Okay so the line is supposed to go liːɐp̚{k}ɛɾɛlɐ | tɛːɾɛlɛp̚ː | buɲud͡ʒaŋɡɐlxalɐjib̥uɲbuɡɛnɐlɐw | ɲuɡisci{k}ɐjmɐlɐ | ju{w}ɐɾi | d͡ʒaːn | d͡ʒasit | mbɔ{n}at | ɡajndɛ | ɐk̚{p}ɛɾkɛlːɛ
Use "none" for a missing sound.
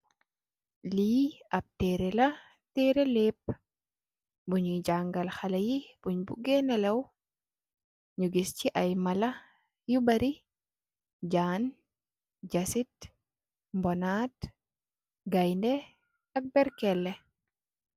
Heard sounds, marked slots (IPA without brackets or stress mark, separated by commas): t, ʔ, b, n, b